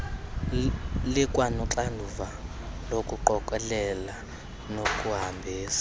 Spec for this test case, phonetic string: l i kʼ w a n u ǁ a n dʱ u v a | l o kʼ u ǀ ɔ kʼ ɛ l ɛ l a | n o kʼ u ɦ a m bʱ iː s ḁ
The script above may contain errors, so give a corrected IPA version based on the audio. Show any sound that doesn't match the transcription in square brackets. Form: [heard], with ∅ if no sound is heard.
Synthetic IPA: l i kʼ w a n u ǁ a n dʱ u v a | l o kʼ u [ǃ] ɔ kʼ ɛ l ɛ l a | n o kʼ u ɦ a m bʱ iː s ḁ